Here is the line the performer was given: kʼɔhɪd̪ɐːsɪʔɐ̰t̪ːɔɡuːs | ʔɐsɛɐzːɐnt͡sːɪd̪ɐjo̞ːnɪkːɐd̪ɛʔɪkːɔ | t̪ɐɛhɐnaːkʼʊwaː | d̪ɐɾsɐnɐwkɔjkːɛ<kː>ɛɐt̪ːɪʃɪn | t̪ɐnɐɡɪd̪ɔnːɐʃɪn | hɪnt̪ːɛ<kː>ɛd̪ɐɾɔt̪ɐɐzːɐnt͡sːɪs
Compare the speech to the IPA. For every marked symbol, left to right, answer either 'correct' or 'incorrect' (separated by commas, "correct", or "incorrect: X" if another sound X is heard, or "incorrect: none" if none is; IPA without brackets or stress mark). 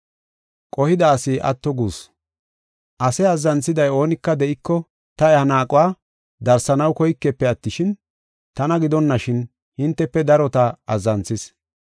incorrect: pː, incorrect: pː